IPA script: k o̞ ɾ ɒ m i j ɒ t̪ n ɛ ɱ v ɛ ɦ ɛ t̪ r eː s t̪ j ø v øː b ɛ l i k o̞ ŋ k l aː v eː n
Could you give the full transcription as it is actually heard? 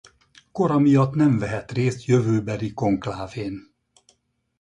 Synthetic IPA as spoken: k o̞ ɾ ɒ m i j ɒ t̪ n ɛ ɱ v ɛ ɦ ɛ t̪ r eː s t̪ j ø v øː b ɛ l i k o̞ ŋ k l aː v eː n